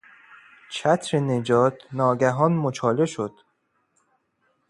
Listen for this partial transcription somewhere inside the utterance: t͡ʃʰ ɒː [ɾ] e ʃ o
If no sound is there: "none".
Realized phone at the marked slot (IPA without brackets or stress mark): l